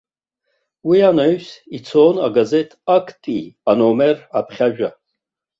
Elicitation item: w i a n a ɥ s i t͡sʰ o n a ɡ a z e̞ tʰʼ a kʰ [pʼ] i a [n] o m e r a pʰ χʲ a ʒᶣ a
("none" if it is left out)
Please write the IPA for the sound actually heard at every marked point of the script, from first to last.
tʼ, n

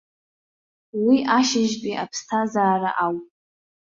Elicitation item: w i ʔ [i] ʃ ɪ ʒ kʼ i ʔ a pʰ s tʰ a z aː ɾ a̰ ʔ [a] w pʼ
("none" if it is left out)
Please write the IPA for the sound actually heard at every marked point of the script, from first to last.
a, a

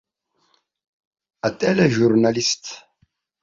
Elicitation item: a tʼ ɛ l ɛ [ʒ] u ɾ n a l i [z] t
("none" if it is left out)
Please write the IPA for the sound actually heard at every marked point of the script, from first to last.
ʒ, s

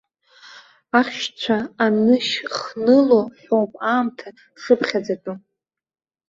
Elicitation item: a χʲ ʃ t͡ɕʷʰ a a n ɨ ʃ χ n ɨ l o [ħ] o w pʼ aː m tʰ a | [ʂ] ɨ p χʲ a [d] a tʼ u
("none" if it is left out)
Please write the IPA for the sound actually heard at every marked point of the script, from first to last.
ħ, ʂ, d͡z

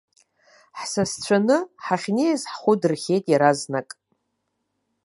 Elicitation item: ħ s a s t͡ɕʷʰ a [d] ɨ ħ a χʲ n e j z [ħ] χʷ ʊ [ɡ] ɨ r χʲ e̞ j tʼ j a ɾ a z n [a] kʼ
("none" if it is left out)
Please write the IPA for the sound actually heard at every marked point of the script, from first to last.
n, ħ, d, a

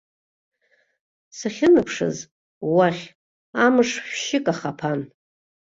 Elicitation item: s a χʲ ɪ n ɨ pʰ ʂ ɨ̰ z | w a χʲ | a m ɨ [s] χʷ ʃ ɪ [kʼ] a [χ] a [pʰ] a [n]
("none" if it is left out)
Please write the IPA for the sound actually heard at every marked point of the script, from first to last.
ʂ, kʼ, χ, pʰ, n

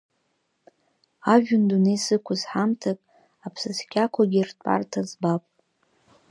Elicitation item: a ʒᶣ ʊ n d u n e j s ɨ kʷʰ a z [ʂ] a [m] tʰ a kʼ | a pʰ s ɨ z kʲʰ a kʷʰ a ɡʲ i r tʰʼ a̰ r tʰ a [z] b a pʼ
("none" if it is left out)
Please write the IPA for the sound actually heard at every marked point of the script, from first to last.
ħ, m, z

